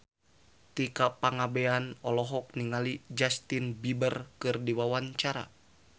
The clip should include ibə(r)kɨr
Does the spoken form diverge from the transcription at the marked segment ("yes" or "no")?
no